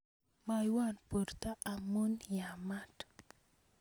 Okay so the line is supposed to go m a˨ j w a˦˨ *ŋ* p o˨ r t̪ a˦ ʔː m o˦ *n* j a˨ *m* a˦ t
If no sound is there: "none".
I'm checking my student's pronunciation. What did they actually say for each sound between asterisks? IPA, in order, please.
n, n, m

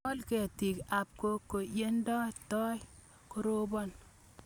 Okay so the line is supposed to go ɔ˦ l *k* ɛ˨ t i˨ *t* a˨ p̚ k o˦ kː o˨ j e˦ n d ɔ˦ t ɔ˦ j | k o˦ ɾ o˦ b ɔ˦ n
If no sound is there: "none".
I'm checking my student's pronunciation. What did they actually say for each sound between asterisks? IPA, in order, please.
k, k

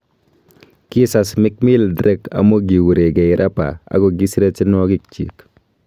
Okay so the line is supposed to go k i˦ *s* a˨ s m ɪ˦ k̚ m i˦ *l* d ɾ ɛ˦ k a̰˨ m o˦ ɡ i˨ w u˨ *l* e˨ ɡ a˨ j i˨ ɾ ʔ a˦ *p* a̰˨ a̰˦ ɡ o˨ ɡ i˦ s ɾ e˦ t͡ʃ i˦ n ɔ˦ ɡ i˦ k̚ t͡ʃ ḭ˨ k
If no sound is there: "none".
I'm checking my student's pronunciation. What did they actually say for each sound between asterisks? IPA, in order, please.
s, l, ɾ, p

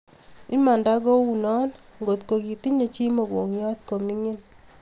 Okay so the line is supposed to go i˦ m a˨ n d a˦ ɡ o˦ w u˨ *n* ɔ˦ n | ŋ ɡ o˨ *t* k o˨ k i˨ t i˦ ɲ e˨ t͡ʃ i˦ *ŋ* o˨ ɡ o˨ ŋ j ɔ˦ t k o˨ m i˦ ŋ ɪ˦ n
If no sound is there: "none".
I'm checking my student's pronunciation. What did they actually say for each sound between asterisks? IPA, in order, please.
n, t, m

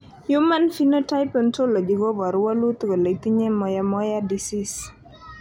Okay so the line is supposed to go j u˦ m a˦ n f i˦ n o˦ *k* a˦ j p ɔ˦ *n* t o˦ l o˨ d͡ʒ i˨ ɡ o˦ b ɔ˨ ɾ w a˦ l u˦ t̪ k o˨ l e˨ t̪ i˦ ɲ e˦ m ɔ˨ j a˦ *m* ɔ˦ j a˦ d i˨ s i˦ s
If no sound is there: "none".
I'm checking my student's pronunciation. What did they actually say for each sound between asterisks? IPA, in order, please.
t, n, m

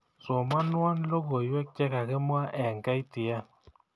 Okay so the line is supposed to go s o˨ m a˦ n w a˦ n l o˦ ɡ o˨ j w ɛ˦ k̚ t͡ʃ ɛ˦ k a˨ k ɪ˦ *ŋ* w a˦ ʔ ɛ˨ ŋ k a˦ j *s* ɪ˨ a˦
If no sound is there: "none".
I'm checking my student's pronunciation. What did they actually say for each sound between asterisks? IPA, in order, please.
m, t

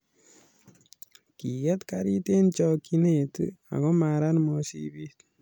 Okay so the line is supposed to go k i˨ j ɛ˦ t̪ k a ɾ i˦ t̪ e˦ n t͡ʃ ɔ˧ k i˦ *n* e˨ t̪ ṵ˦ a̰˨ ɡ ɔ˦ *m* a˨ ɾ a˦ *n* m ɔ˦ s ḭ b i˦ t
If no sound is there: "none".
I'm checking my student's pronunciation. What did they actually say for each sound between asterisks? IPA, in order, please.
n, m, n

